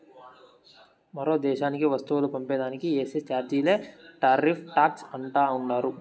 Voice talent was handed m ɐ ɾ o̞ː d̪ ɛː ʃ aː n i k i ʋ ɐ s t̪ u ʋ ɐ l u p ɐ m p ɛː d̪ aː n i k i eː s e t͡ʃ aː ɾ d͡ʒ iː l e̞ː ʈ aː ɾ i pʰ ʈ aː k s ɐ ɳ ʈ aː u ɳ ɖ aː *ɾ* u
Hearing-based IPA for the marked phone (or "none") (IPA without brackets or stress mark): ɾ